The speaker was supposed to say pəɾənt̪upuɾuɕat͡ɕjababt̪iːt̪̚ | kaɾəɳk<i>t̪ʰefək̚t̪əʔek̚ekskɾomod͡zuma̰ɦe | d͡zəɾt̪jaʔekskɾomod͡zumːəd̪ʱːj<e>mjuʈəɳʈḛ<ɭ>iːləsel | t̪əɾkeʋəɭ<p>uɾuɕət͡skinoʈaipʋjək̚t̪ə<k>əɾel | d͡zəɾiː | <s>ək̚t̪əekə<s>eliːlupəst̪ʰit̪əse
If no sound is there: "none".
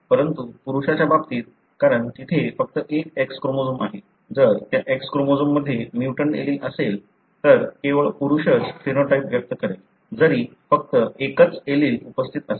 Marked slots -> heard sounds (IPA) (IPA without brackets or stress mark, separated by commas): i, e, l, p, k, f, t͡s